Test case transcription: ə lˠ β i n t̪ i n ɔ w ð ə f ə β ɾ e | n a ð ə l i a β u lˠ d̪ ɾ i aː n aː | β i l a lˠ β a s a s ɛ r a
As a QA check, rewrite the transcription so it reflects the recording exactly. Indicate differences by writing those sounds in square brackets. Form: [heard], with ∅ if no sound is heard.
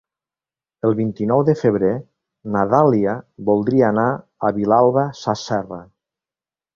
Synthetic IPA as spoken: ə lˠ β i n t̪ i n ɔ w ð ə f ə β ɾ e | n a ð [a] l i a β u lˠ d̪ ɾ i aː n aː | β i l a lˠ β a s a s ɛ r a